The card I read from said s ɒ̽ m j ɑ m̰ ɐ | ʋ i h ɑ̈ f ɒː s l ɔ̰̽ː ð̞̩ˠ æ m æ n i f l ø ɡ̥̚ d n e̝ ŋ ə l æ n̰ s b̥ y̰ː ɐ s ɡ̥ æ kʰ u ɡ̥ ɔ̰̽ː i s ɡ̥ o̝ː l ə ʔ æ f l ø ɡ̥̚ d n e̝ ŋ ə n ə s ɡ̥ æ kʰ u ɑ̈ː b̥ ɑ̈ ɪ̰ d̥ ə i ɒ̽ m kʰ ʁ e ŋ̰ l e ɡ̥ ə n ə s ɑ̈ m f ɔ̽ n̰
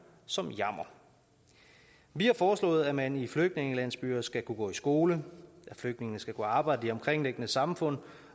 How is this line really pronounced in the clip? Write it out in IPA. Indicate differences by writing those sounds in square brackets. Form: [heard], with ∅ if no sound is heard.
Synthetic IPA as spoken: s ɒ̽ m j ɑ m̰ ɐ | ʋ i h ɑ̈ f ɒː s l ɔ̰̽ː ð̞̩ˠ æ m æ n i f l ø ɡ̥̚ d n e̝ ŋ ə l æ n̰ s b̥ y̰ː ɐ s ɡ̥ æ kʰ u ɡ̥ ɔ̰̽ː i s ɡ̥ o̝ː l ə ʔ æ f l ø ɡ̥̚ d n e̝ ŋ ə n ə s ɡ̥ æ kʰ u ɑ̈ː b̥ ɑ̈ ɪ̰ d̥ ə i ɒ̽ m kʰ ʁ e ŋ̰ l e ɡ̥ ə n ə s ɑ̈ m f ɔ̽ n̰